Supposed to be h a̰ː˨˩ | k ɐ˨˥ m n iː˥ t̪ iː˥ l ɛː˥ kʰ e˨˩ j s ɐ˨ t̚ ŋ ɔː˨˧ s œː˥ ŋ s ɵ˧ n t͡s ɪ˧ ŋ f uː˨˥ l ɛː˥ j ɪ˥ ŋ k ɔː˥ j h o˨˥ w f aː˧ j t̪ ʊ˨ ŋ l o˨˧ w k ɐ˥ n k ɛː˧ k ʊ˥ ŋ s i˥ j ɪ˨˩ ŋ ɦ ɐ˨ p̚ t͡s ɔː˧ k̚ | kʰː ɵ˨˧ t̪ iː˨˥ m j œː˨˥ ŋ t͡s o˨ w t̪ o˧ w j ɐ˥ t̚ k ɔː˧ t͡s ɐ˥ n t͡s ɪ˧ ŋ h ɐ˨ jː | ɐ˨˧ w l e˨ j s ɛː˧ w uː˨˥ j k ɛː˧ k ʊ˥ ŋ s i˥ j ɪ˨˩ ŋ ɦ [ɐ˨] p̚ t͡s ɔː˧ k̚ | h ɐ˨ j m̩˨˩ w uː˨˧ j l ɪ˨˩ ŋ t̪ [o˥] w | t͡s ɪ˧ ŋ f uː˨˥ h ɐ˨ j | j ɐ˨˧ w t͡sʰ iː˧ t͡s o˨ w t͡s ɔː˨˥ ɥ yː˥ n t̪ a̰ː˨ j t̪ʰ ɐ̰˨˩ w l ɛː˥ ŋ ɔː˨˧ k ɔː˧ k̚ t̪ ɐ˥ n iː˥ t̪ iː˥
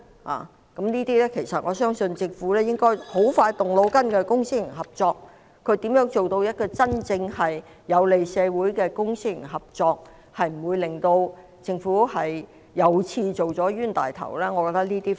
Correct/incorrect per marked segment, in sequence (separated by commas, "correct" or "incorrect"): correct, incorrect